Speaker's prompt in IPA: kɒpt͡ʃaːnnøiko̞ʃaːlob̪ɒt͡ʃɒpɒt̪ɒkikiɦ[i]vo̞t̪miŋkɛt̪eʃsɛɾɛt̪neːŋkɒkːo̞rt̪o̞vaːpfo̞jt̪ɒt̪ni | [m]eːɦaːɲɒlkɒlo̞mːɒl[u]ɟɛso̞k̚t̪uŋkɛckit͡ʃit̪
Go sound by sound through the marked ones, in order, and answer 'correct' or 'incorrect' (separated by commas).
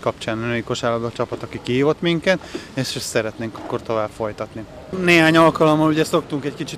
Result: incorrect, incorrect, correct